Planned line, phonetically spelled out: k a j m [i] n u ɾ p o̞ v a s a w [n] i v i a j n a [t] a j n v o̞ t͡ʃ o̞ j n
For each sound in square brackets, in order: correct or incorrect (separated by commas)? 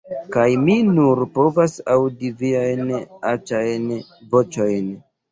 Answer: correct, incorrect, incorrect